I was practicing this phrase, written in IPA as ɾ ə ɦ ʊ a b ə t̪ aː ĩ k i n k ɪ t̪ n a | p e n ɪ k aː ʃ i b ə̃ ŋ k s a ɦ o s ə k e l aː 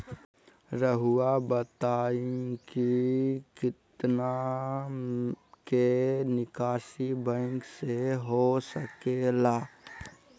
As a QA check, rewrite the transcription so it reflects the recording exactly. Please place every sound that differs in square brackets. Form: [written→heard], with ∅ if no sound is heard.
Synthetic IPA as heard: ɾ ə ɦ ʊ a b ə t̪ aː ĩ k i [n→∅] k ɪ t̪ n a | [p→k] e n ɪ k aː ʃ i b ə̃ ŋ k s [a→e] ɦ o s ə k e l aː